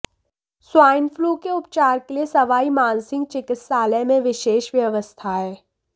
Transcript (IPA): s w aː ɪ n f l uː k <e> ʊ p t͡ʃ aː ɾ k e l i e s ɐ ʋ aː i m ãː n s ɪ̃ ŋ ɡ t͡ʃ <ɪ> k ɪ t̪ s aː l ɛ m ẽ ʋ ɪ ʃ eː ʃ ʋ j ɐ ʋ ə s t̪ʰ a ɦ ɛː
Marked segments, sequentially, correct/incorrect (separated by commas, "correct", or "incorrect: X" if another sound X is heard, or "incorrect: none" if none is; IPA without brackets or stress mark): correct, correct